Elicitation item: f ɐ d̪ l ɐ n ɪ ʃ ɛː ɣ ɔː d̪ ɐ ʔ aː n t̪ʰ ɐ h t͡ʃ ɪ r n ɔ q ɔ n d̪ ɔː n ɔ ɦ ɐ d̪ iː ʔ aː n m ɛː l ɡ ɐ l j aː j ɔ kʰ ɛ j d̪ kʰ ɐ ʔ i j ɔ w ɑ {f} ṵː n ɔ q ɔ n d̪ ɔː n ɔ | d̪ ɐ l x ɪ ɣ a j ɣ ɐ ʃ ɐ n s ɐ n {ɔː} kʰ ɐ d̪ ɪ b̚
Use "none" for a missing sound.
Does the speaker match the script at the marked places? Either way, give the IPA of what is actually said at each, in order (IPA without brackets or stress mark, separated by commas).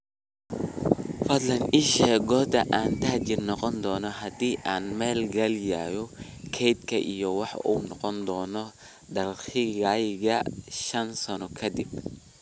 ħ, ɔ